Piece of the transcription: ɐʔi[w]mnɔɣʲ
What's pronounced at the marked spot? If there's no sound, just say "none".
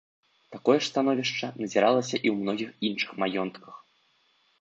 w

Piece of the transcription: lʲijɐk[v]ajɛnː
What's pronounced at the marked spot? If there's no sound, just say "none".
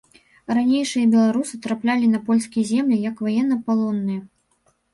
v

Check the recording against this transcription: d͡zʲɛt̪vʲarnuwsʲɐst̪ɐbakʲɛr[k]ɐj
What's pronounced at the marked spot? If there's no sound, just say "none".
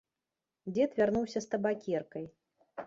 k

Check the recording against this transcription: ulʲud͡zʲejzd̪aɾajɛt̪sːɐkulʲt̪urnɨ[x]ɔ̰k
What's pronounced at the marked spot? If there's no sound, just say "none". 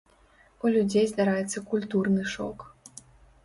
ʂ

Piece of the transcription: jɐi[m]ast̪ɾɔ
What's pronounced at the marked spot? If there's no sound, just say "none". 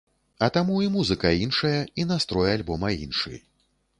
n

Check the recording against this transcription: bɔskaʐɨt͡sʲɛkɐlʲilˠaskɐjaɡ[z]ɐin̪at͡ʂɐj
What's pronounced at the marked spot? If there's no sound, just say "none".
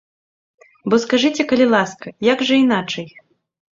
ʐ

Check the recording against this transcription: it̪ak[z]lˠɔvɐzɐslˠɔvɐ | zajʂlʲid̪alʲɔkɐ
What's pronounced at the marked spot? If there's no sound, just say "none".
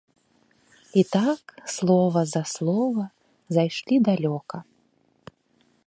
s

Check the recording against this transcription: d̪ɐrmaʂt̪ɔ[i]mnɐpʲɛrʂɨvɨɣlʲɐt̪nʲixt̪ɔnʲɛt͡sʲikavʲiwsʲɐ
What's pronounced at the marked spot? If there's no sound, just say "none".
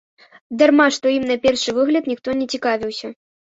i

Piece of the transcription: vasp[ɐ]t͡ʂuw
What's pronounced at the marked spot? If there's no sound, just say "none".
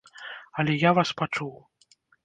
a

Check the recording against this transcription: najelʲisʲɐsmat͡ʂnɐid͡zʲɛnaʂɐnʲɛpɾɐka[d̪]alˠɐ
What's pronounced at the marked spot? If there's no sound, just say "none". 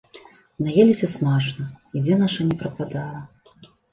d̪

